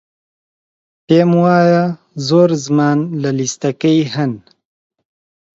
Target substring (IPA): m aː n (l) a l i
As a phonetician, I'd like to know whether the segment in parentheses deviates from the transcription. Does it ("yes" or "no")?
no